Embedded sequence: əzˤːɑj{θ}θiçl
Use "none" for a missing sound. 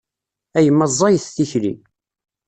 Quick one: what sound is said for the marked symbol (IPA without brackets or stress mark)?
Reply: θ